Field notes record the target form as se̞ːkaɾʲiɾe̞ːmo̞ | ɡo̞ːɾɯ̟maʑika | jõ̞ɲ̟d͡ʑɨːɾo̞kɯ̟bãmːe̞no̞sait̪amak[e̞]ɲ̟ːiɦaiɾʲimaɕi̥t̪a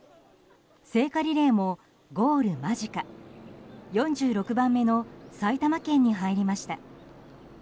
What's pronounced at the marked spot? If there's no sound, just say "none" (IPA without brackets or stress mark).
ẽ̞